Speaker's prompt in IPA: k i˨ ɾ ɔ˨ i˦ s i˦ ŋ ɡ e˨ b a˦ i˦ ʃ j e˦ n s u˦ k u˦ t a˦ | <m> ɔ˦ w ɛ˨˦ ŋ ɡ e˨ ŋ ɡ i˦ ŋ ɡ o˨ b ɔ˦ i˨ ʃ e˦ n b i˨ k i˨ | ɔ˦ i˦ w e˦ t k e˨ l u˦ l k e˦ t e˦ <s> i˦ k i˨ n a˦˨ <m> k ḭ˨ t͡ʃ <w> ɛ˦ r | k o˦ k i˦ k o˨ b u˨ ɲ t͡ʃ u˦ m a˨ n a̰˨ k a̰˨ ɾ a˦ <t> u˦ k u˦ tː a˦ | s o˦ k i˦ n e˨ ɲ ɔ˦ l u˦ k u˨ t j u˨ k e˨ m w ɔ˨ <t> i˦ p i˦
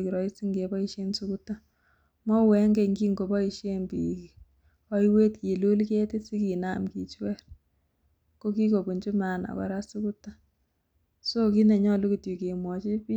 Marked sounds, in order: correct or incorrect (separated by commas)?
correct, correct, correct, correct, incorrect, incorrect